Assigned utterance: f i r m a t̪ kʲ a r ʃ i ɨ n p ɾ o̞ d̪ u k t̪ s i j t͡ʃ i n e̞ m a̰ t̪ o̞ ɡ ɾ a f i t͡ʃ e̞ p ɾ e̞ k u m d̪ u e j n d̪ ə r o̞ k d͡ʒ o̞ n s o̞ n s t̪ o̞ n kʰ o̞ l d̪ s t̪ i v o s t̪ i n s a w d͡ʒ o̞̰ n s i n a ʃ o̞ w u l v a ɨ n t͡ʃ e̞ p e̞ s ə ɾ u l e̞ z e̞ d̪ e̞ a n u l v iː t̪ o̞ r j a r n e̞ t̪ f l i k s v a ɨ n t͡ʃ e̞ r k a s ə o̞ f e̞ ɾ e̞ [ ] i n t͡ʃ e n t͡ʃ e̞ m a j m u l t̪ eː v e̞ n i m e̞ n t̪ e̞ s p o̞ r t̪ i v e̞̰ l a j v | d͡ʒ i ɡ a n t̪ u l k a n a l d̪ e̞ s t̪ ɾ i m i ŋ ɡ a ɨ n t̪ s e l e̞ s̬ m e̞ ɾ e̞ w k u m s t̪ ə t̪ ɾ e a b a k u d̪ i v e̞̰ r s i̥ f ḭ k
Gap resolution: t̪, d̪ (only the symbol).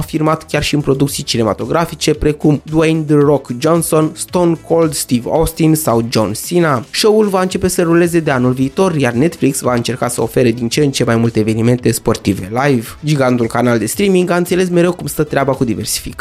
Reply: d̪